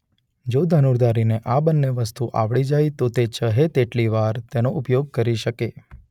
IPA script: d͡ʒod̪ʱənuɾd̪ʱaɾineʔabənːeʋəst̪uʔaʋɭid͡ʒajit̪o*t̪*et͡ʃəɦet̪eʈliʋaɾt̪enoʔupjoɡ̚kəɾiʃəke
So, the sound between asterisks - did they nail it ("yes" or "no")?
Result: yes